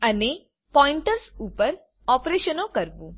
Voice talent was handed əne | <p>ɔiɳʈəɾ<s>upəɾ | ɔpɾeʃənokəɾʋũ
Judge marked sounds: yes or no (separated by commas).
yes, yes